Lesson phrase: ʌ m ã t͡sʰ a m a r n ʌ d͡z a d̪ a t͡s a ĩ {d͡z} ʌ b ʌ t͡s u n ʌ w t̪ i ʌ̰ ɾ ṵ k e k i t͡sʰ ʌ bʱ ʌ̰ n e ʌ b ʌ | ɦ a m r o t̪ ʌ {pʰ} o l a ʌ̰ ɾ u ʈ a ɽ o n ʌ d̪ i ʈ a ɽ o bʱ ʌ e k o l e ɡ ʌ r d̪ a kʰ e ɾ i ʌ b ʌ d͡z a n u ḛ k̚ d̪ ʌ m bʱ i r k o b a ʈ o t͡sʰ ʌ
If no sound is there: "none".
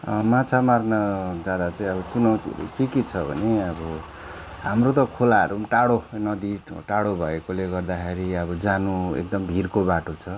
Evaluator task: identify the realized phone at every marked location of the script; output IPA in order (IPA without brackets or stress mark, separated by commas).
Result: none, kʰ